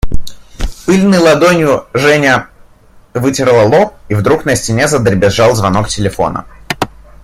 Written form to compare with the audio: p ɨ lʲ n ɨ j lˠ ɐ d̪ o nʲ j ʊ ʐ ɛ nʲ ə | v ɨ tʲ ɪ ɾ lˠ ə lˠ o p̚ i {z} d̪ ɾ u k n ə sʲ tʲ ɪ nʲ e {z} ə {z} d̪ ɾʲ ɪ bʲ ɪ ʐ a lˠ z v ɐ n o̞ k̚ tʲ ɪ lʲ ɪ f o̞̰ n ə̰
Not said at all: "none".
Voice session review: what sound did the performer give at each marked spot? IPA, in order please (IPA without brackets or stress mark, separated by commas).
v, z, none